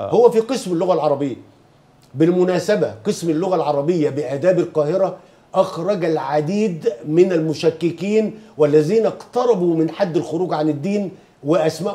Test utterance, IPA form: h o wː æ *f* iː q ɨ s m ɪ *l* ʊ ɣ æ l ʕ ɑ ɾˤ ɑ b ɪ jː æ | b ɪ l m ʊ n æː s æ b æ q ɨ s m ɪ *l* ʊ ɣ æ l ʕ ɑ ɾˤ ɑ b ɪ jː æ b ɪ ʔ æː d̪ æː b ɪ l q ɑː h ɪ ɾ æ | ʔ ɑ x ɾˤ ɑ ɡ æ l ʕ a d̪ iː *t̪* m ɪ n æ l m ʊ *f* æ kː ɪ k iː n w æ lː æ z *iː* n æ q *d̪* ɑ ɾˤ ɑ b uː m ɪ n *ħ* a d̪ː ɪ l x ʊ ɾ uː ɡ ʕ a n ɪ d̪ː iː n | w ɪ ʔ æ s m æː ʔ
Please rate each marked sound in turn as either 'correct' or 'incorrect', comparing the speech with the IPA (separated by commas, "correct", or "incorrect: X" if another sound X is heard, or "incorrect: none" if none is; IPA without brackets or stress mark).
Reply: correct, incorrect: lː, incorrect: lː, incorrect: d̪, incorrect: ʃ, correct, incorrect: t̪, correct